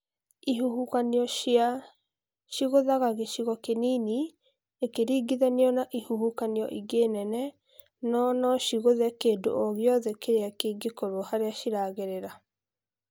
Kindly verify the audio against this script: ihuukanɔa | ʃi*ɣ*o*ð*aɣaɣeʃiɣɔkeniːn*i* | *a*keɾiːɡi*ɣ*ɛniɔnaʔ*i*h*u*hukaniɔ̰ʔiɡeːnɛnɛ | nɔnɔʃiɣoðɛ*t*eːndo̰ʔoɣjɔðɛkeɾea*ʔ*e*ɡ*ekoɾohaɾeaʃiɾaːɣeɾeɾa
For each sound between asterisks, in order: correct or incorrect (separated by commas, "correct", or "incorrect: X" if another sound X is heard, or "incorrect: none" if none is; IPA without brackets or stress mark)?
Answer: correct, correct, correct, incorrect: e, incorrect: ð, correct, correct, incorrect: k, incorrect: k, correct